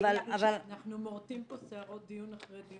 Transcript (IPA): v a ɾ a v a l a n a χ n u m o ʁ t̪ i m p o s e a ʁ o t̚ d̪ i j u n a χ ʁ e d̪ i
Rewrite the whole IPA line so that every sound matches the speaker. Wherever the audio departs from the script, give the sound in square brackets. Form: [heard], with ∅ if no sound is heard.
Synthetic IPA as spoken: v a [l] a v a l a n a χ n u m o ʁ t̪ i m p o s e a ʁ o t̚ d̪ i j u n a χ ʁ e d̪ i